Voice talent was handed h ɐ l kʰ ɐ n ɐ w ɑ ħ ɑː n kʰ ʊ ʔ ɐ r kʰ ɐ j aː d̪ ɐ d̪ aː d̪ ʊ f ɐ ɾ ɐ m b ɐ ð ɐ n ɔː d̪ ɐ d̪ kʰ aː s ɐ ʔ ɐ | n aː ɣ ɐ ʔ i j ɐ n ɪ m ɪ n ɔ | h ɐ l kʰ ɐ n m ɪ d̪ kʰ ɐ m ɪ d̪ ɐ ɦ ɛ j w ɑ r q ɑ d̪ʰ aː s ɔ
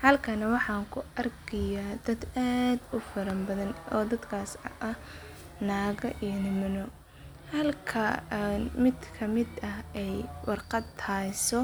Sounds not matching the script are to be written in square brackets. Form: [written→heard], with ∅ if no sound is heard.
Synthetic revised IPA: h ɐ l kʰ ɐ n ɐ w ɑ ħ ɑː [n→ŋ] kʰ ʊ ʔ ɐ r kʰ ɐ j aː d̪ ɐ d̪ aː d̪ ʊ f ɐ ɾ ɐ m b ɐ ð ɐ n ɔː d̪ ɐ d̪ kʰ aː s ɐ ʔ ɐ | n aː ɣ ɐ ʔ i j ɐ n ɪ m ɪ n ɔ | h ɐ l kʰ ɐ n m ɪ d̪ kʰ ɐ m ɪ d̪ ɐ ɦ ɛ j w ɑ r q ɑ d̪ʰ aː s ɔ